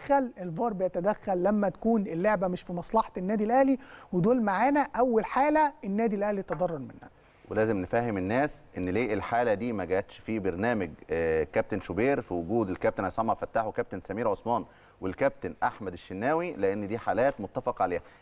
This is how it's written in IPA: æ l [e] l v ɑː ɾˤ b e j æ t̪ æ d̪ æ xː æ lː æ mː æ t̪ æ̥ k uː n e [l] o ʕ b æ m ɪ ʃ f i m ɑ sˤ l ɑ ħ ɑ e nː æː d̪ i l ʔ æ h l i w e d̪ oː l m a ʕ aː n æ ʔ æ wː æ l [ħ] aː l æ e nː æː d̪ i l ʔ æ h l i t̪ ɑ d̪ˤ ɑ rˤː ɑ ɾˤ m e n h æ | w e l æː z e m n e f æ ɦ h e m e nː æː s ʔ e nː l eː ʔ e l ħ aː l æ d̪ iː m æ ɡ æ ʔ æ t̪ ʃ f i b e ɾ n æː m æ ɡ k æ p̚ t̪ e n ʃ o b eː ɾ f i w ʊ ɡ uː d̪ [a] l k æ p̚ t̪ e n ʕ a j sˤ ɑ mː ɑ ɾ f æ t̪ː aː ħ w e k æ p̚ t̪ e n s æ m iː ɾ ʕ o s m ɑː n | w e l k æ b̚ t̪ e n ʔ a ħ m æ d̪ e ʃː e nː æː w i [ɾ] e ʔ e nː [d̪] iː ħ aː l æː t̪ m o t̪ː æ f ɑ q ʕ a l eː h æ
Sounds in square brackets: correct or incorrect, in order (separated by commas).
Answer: correct, incorrect, correct, incorrect, incorrect, correct